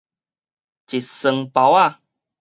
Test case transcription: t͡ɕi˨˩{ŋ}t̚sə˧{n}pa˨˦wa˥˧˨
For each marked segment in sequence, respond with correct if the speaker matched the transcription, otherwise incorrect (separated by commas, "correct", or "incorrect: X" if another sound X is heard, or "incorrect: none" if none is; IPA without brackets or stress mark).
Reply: incorrect: none, incorrect: ŋ